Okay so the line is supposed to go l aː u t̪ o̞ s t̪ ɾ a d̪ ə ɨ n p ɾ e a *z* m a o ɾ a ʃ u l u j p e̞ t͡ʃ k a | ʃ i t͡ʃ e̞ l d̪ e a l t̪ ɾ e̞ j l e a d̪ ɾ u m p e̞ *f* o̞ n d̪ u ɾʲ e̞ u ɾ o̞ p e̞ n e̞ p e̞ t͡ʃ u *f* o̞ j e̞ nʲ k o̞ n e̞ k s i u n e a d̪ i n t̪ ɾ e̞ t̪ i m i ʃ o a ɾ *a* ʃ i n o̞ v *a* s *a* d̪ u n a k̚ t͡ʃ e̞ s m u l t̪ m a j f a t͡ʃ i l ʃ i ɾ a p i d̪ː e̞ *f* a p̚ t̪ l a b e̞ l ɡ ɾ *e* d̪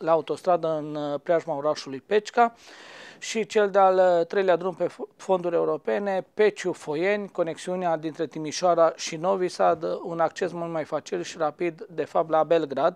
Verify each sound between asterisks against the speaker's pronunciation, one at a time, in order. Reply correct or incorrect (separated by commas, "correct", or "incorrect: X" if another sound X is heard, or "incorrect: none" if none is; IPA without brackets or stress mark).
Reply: incorrect: ʒ, correct, correct, correct, incorrect: i, correct, correct, incorrect: a